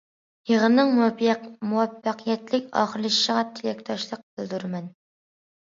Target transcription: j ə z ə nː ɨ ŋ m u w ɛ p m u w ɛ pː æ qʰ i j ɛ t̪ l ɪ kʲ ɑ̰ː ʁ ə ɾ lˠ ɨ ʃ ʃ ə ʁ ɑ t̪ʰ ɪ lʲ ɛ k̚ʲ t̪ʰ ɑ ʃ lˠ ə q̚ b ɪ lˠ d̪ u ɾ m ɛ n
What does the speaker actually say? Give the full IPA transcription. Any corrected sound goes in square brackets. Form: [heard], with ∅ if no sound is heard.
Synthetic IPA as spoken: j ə [ʁ] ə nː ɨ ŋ m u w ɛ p m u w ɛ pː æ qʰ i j ɛ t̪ l ɪ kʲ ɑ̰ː [χ] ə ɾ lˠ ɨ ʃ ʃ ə ʁ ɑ t̪ʰ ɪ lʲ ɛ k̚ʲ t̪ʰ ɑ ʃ lˠ ə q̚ b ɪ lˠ d̪ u ɾ m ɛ n

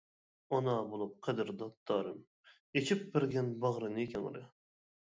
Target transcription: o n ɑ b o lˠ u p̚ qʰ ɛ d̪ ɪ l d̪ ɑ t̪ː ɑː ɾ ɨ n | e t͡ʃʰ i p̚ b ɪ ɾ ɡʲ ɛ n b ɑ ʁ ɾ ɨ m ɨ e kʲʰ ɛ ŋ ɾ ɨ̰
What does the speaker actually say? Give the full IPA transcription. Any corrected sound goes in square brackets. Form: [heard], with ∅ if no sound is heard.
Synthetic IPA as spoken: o n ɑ b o lˠ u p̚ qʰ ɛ d̪ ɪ [ɾ] d̪ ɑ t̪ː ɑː ɾ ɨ [m] | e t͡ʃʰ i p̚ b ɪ ɾ ɡʲ ɛ n b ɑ ʁ ɾ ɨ [n] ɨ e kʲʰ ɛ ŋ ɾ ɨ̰

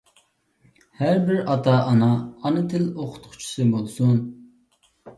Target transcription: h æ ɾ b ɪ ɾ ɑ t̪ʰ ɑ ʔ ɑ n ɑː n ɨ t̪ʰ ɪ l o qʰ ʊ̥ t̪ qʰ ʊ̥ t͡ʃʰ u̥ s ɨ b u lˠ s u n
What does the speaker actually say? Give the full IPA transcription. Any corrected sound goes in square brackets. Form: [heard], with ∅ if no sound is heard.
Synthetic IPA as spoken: h æ ɾ b ɪ ɾ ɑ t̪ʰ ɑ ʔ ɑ n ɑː n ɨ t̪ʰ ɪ l o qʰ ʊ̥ t̪ qʰ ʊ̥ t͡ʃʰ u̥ s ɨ b [o] lˠ s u n

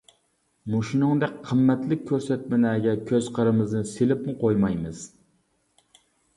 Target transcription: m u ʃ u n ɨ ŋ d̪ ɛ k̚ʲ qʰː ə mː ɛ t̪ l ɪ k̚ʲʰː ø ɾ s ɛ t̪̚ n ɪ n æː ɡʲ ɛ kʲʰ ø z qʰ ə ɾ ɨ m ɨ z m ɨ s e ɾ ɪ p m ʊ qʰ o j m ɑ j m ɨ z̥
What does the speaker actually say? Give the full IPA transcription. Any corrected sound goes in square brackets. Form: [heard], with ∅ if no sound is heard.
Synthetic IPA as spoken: m u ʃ u n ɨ ŋ d̪ ɛ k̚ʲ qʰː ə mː ɛ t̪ l ɪ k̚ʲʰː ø ɾ s ɛ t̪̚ [m] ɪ n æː ɡʲ ɛ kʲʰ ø z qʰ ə ɾ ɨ m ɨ z [n] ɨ s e [l] ɪ p m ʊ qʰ o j m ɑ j m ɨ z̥

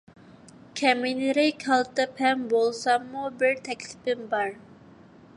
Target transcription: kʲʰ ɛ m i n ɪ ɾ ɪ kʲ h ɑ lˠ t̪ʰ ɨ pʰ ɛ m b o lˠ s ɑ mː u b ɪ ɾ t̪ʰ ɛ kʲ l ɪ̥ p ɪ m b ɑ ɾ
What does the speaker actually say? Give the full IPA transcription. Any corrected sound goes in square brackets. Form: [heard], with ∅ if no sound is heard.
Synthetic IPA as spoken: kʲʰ ɛ m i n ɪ ɾ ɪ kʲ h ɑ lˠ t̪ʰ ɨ pʰ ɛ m b o lˠ s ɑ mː u b ɪ ɾ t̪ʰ ɛ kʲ l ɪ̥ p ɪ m b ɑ ɾ

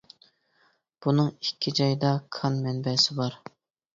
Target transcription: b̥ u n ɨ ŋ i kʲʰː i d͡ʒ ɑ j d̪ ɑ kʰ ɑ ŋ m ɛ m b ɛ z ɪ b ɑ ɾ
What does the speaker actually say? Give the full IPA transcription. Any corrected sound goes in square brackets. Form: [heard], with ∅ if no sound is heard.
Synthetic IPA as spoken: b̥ u n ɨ ŋ i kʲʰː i d͡ʒ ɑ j d̪ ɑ kʰ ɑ [n] m ɛ [n] b ɛ [s] ɪ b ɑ ɾ

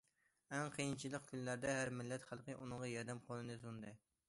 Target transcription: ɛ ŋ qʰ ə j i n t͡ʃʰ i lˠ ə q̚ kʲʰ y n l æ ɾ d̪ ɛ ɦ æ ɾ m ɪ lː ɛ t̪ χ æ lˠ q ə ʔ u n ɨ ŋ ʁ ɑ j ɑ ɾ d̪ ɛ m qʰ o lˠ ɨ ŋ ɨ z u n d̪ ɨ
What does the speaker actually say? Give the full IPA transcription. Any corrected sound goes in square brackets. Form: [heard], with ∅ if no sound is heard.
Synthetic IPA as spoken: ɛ ŋ qʰ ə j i n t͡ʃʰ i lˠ ə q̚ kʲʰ y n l æ ɾ d̪ ɛ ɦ æ ɾ m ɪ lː ɛ t̪ χ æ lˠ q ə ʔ u n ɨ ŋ ʁ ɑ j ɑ ɾ d̪ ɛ m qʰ o lˠ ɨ [n] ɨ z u n d̪ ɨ

